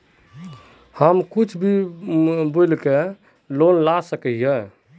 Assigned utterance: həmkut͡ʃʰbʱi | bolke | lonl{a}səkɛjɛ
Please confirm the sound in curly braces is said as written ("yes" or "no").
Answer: yes